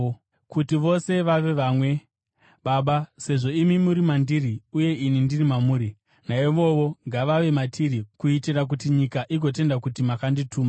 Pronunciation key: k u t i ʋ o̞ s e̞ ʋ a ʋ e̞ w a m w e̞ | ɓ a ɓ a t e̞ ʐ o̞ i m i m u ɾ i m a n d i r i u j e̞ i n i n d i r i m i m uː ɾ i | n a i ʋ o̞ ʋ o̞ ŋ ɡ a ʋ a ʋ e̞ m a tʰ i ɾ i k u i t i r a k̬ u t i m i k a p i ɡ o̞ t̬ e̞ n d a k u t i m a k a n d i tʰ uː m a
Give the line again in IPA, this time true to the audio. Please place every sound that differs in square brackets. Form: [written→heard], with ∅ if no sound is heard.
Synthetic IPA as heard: k u t i ʋ o̞ s e̞ ʋ a ʋ e̞ [w→ʋ] a m w e̞ | ɓ a ɓ a [t→s] e̞ ʐ o̞ i m i m u ɾ i m a n d i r i u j e̞ i n i n d i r i m [i→a] m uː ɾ i | n a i ʋ o̞ ʋ o̞ ŋ ɡ a ʋ a ʋ e̞ m a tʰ i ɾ i k u i t i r a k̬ u t i [m→ɲ] i k a [p→ʔ] i ɡ o̞ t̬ e̞ n d a k u t i m a k a n d i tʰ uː m a